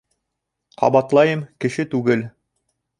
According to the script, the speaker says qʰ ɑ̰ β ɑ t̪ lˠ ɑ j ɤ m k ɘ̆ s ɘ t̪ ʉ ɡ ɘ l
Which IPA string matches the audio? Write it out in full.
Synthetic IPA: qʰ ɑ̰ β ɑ t̪ lˠ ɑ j ɤ m k ɘ̆ ʃ ɘ t̪ ʉ ɡ ɘ l